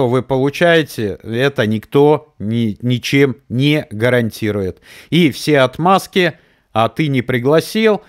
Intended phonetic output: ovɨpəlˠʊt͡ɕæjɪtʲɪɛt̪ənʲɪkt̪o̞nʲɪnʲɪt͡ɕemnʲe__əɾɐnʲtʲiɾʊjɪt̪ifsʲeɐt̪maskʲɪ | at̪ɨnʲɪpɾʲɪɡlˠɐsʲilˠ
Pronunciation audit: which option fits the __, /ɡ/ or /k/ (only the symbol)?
ɡ